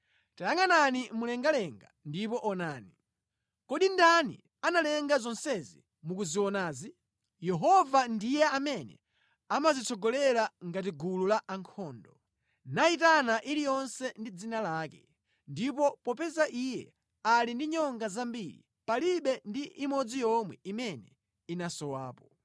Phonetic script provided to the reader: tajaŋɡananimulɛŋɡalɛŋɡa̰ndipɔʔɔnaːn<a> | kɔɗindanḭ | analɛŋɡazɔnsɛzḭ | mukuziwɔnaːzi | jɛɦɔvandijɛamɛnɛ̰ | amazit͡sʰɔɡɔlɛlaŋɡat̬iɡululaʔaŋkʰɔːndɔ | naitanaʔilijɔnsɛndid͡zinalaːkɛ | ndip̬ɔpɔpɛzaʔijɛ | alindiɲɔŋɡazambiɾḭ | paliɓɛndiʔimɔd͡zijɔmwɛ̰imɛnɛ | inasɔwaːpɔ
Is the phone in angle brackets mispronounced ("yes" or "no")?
yes